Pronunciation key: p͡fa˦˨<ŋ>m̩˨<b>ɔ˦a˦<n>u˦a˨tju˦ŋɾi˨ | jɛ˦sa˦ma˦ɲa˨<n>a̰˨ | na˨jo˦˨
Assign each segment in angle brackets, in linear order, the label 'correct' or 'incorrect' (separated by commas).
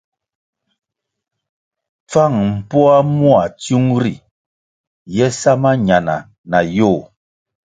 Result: correct, incorrect, incorrect, correct